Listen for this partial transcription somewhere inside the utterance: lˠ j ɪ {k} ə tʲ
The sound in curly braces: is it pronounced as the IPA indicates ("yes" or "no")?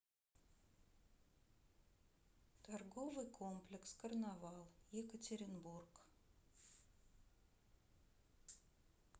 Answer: yes